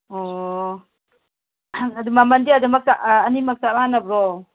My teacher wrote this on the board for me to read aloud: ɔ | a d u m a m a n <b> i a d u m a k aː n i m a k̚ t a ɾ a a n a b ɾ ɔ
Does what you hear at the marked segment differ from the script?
yes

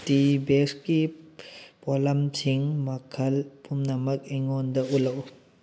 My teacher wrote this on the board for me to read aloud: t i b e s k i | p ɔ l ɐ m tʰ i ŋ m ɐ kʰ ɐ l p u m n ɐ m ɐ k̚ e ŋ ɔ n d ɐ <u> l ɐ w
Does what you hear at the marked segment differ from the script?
no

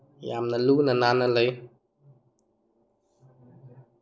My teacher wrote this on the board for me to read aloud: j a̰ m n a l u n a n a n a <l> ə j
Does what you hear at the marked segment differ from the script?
no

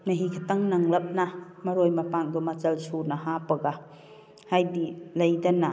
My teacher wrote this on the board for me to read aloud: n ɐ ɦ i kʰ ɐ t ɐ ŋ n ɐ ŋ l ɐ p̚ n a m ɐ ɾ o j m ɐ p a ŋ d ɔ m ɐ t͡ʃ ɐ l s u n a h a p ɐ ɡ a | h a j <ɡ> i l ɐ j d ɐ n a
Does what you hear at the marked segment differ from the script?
yes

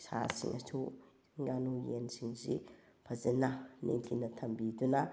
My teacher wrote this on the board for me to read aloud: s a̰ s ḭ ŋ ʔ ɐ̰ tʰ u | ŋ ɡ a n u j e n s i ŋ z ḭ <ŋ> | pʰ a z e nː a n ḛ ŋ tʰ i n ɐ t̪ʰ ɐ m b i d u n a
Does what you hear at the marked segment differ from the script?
yes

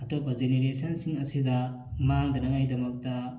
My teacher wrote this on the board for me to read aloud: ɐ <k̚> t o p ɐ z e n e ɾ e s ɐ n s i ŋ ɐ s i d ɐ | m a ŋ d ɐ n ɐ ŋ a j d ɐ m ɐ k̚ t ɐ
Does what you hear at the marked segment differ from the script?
yes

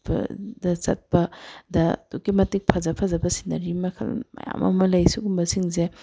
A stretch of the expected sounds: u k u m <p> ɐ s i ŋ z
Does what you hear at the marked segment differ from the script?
yes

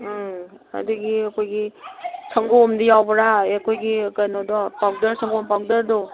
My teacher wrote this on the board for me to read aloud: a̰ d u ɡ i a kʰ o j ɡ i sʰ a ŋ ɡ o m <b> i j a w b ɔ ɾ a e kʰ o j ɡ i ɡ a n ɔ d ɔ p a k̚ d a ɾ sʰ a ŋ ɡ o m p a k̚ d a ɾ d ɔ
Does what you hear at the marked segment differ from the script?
yes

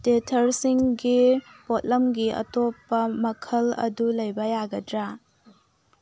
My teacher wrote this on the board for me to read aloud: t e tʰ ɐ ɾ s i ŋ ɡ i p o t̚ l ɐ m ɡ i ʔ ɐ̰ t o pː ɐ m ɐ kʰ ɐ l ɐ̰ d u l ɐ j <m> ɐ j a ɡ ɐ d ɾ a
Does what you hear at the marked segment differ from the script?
yes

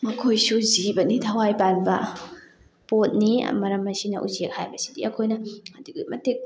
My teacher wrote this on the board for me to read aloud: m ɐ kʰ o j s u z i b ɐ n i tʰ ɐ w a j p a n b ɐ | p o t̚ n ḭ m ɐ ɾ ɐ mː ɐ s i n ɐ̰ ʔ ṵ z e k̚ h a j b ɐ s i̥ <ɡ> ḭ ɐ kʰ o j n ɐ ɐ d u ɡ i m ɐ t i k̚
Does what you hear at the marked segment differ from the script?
yes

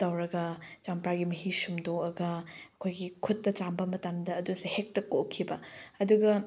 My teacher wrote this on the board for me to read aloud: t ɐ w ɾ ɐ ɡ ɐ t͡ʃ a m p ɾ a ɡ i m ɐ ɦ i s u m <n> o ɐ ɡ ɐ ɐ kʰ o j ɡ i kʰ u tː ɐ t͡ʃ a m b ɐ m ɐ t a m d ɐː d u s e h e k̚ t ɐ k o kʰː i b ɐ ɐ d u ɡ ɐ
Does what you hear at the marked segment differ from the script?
yes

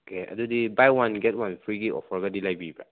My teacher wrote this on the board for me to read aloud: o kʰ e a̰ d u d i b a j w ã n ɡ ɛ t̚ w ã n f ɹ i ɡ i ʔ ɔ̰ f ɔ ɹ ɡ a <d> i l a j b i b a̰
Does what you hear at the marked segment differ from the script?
no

